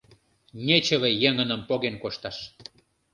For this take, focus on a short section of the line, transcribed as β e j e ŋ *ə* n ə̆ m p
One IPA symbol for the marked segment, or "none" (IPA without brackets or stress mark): ə